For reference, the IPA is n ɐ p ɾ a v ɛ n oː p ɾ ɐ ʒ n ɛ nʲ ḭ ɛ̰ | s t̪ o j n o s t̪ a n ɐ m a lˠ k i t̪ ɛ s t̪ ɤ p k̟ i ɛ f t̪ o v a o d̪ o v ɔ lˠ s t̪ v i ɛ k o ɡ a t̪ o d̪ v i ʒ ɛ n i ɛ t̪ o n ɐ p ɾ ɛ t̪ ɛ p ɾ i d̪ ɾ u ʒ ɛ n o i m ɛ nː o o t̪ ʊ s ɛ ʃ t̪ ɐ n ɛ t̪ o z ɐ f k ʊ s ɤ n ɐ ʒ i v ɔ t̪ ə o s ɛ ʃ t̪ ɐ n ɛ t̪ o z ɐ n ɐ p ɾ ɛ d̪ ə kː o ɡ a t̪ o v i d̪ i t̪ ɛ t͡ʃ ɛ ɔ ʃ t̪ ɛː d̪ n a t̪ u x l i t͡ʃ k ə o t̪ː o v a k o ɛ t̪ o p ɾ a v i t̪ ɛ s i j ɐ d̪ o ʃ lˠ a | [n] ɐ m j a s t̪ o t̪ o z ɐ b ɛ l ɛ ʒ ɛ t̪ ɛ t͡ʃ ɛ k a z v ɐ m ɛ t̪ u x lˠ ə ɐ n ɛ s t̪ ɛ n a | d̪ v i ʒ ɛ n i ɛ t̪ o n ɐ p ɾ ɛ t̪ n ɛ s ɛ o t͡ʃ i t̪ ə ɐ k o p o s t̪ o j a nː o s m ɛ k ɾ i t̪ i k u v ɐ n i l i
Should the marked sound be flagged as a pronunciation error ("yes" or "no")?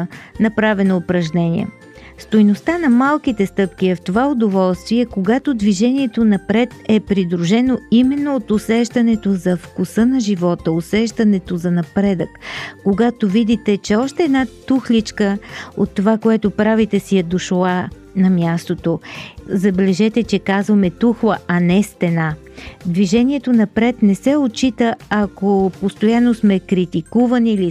no